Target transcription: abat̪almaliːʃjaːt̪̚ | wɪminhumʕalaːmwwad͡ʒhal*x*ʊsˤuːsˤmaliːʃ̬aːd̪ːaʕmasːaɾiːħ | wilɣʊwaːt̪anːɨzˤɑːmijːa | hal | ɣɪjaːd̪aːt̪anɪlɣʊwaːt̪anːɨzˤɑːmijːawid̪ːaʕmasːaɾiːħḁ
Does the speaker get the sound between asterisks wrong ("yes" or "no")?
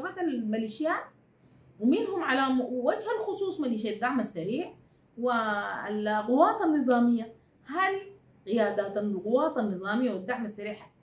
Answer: no